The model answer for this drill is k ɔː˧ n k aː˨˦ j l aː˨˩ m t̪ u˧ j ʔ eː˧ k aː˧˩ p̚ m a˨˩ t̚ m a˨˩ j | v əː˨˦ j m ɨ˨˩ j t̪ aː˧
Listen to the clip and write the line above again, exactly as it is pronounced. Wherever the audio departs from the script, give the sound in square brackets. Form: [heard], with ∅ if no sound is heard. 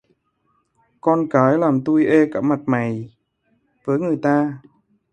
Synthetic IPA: k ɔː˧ n k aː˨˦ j l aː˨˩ m t̪ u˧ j ʔ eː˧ k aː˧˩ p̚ m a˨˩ t̚ m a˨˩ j | v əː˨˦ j [ŋ] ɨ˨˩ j t̪ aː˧